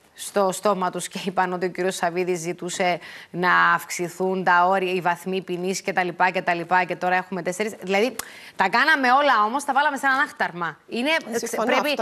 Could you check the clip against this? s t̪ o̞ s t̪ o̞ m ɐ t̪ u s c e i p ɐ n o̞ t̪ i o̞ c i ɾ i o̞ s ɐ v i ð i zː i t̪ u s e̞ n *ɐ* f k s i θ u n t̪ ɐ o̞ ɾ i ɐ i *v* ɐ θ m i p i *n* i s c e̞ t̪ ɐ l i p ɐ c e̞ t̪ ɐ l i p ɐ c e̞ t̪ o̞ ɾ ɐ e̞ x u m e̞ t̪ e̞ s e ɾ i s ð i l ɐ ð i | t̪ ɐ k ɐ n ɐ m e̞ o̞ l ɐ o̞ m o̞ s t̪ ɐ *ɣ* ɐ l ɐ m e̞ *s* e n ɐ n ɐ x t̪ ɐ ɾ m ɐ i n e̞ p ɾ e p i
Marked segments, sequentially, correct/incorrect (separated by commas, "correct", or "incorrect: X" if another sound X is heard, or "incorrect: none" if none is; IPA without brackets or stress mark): incorrect: ɐː, correct, correct, incorrect: v, correct